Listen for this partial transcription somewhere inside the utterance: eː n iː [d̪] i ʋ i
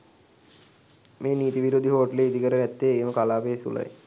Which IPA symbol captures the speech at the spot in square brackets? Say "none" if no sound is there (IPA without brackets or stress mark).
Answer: t̪